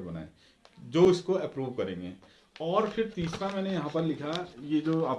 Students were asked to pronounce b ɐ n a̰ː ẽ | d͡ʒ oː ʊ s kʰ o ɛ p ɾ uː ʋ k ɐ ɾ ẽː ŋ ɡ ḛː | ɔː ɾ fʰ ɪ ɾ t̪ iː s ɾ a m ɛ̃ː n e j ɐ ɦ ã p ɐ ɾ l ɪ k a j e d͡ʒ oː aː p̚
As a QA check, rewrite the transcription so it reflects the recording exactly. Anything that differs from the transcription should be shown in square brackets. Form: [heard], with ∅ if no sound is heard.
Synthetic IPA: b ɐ n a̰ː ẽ | d͡ʒ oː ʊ s [k] o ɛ p ɾ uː ʋ k ɐ ɾ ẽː ŋ ɡ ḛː | ɔː ɾ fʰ ɪ ɾ t̪ iː s ɾ a m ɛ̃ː n e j ɐ ɦ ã p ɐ ɾ l ɪ [kʰ] a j e d͡ʒ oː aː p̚